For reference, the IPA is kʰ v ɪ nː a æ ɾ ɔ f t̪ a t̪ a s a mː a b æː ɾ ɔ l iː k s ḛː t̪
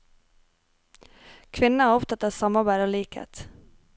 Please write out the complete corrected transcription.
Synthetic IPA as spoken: kʰ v ɪ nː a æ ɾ ɔ f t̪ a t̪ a s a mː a b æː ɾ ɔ l iː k h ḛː t̪